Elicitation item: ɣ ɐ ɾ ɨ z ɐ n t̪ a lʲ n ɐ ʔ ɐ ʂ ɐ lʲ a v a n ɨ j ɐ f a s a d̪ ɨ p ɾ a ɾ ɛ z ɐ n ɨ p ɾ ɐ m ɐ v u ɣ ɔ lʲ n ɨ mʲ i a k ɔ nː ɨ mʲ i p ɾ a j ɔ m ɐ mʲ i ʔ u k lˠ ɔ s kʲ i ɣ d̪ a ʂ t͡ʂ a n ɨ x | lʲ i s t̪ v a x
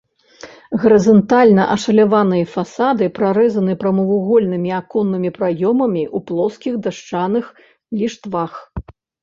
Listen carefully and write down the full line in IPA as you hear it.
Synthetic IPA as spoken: ɣ ɐ ɾ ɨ z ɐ n t̪ a lʲ n ɐ ʔ ɐ ʂ ɐ lʲ a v a n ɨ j ɐ f a s a d̪ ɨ p ɾ a ɾ ɛ z ɐ n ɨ p ɾ ɐ m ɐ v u ɣ ɔ lʲ n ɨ mʲ i a k ɔ nː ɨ mʲ i p ɾ a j ɔ m ɐ mʲ i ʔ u p lˠ ɔ s kʲ i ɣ d̪ a ʂ t͡ʂ a n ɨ x | lʲ i ʂ t̪ v a x